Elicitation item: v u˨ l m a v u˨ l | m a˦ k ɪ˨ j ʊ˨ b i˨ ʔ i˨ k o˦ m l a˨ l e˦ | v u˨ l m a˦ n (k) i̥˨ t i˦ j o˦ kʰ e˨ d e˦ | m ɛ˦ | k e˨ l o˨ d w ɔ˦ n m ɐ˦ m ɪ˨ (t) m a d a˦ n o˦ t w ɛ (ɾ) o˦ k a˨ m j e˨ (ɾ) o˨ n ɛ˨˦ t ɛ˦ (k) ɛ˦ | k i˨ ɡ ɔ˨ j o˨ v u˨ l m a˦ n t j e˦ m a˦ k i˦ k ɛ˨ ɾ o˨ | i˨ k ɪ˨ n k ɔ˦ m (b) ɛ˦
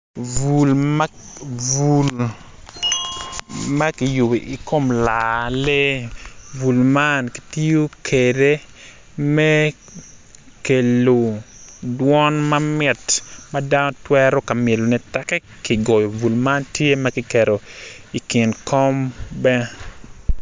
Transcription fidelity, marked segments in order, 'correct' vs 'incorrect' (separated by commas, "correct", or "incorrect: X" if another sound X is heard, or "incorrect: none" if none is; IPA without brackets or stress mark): correct, correct, correct, incorrect: l, correct, correct